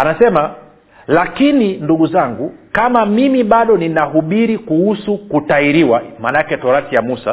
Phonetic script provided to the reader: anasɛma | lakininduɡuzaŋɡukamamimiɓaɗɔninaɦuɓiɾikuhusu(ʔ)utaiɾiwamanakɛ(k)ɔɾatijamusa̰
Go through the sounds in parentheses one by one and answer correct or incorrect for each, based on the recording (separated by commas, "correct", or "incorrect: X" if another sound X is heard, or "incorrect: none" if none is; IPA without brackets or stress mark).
incorrect: k, incorrect: t